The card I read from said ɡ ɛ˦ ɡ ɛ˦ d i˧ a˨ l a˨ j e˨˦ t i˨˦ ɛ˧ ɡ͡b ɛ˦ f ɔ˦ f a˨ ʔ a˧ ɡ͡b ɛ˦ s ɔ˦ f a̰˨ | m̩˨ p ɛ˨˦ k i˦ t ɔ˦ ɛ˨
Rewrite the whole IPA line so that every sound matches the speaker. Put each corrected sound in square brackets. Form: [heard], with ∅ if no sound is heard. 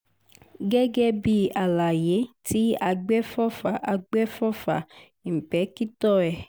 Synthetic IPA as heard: ɡ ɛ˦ ɡ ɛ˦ [b] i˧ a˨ l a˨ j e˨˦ t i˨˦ [a˧] ɡ͡b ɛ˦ f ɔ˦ f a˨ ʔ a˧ ɡ͡b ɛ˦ [f] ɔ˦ f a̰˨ | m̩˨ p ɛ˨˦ k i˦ t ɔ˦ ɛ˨